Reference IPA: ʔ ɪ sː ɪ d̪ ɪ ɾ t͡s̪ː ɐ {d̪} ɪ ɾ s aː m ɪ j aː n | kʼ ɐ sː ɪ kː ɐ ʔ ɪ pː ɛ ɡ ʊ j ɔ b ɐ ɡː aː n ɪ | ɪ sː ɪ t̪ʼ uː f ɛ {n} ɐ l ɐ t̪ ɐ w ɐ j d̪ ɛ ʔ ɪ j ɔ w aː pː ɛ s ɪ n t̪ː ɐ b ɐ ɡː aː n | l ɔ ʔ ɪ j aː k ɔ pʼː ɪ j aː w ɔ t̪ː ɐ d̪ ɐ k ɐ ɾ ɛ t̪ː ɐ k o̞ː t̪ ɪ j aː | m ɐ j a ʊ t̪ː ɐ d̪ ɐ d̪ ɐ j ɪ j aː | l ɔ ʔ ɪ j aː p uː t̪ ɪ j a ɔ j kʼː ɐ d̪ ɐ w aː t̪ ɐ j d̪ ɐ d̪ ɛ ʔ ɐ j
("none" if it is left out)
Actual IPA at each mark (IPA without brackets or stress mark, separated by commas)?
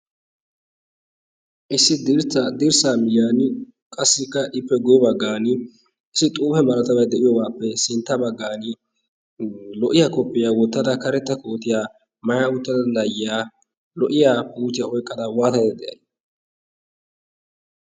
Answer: d̪, m